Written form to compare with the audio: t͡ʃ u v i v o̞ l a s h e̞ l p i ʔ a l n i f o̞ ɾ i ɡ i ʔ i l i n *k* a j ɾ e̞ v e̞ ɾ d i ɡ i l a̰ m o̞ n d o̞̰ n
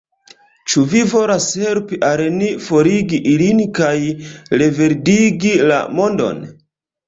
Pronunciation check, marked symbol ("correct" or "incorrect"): correct